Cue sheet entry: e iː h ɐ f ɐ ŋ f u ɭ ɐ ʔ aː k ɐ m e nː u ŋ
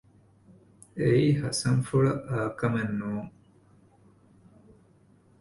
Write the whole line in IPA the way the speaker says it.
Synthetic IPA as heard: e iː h ɐ s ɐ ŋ f u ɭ ɐ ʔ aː k ɐ m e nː uː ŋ